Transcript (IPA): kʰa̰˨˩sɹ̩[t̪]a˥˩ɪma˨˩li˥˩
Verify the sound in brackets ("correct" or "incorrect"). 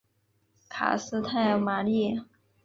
incorrect